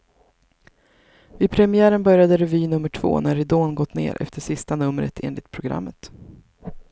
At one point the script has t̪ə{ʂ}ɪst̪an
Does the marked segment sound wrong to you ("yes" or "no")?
no